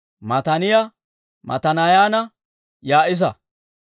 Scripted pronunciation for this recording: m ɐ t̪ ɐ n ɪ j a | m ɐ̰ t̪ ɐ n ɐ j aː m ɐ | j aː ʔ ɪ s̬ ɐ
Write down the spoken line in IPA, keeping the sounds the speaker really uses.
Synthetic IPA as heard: m ɐ t̪ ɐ n ɪ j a | m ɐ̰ t̪ ɐ n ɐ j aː n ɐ | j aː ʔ ɪ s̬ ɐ